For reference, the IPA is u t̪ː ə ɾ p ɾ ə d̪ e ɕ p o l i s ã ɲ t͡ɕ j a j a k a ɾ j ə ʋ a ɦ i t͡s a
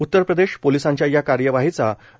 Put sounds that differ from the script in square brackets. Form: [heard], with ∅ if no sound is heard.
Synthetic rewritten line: u t̪ː ə ɾ p ɾ ə d̪ e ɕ p o l i s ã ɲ t͡ɕ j a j a k a ɾ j ə ʋ a ɦ i t͡s a